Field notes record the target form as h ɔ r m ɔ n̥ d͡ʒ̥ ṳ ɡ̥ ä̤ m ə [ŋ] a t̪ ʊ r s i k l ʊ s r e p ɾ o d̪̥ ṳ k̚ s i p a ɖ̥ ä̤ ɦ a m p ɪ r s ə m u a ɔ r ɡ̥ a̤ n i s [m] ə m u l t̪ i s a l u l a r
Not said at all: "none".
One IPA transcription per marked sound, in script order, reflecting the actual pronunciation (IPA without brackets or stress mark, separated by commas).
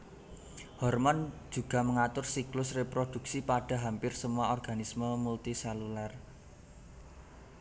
ŋ, m